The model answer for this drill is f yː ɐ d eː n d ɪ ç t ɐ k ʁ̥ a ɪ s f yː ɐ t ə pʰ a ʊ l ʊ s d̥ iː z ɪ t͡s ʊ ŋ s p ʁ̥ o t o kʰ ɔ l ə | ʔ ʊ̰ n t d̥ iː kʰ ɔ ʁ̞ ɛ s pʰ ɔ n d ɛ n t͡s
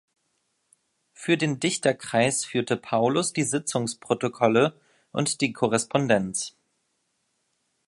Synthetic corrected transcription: f yː ɐ d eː n d ɪ ç t ɐ k ʁ̥ a ɪ s f yː ɐ t ə pʰ a ʊ l ʊ s d̥ iː z ɪ t͡s ʊ ŋ s p ʁ̥ o t o kʰ ɔ l ə | ʔ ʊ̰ n t d̥ iː kʰ ɔ ʁ̞ ɛ s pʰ ɔ n d ɛ n t͡s